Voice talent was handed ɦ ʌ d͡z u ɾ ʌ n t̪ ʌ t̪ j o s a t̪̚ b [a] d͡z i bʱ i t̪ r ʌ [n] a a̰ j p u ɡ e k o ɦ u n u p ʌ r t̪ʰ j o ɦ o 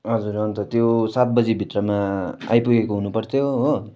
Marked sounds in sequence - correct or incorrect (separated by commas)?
incorrect, incorrect